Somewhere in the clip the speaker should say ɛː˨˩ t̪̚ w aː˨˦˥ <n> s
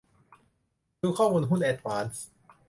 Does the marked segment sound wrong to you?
no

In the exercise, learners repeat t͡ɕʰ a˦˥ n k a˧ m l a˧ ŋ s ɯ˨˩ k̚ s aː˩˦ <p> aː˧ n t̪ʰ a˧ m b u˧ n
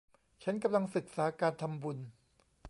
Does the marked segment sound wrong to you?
yes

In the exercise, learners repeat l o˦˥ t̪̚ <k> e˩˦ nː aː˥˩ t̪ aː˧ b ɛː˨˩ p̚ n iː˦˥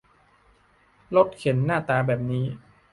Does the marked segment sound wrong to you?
yes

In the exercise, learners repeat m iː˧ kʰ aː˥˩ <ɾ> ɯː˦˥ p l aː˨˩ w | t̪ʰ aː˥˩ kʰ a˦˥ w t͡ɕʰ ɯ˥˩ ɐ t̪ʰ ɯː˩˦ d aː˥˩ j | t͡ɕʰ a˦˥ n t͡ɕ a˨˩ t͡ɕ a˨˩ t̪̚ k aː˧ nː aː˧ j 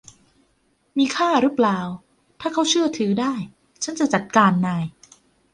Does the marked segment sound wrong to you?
no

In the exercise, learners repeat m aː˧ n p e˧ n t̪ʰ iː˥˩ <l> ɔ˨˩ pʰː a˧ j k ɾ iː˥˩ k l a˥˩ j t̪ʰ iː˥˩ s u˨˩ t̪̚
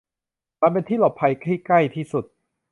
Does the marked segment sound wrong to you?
no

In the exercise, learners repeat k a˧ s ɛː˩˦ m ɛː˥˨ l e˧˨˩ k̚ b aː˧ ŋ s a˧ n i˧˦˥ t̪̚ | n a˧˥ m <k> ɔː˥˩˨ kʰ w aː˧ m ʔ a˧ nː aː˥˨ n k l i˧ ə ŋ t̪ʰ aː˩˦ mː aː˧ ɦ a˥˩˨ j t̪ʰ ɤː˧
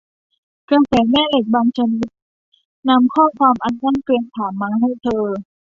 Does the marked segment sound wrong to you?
yes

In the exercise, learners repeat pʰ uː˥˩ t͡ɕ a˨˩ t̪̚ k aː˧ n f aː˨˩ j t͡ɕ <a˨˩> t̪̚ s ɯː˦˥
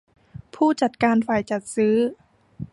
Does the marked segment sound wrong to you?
no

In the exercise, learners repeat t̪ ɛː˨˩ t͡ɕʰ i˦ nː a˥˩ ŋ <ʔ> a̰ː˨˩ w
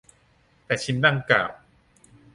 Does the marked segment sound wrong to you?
yes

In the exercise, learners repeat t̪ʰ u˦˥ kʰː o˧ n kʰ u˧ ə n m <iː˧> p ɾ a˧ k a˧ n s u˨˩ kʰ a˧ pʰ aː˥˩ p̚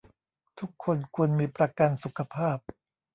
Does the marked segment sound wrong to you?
no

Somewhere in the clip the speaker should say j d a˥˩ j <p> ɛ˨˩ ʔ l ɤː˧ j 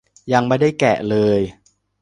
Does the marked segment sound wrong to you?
yes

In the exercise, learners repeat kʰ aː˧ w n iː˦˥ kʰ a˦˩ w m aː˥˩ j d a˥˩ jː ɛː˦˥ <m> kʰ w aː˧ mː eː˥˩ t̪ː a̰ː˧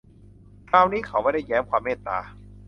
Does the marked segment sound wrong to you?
no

